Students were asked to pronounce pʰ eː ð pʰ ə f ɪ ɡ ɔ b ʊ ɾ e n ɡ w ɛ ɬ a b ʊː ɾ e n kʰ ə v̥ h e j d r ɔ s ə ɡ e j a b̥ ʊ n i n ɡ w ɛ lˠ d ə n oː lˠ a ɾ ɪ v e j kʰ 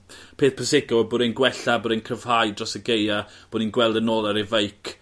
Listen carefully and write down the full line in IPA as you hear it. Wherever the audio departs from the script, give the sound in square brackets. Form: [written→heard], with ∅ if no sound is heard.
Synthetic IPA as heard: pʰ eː [ð→θ] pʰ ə [f→s] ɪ ɡ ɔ b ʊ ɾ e n ɡ w ɛ ɬ a b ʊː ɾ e n kʰ ə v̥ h [e→a] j d r ɔ s ə ɡ e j a b̥ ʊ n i n ɡ w ɛ lˠ d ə n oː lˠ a ɾ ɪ v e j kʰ